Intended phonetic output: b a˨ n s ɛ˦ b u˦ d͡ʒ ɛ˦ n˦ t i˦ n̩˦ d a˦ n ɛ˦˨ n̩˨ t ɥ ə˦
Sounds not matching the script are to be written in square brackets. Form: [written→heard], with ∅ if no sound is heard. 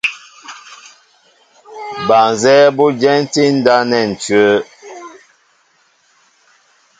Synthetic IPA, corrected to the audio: b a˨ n [s→z] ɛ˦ b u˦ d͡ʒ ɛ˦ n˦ t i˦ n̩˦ d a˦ n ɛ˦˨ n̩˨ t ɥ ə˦